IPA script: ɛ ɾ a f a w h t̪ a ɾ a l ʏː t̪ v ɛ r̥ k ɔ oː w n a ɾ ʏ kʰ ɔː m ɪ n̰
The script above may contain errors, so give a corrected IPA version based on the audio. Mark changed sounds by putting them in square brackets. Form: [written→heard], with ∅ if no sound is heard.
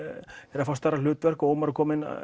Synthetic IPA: ɛ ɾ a f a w [h→s] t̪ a ɾ a l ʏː t̪ v ɛ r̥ k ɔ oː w [n→m] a ɾ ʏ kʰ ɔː m ɪ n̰